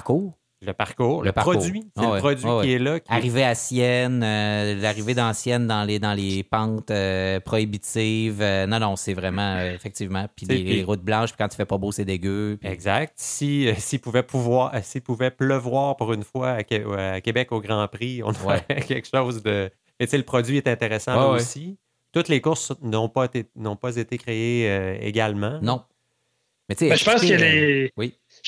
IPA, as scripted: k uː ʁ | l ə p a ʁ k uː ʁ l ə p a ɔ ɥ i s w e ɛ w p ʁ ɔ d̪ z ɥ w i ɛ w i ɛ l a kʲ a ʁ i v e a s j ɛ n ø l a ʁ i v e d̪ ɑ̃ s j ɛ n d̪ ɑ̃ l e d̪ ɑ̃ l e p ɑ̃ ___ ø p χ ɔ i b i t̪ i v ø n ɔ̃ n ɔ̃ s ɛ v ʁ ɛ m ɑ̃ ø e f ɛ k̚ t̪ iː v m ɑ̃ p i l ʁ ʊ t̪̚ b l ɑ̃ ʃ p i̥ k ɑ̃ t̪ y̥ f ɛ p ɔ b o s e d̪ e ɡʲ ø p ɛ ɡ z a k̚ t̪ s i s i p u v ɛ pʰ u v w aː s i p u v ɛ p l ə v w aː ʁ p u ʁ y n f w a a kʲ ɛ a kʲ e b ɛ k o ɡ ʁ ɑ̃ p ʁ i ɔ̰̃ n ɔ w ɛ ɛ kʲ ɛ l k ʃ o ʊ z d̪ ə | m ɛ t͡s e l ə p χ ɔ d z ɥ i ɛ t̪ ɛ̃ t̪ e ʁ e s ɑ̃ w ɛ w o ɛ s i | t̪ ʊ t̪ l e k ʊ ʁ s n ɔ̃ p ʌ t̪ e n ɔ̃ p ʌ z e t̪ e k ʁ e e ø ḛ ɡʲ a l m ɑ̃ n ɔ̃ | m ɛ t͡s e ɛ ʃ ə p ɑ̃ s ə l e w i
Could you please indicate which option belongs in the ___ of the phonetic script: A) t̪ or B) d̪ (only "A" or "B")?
A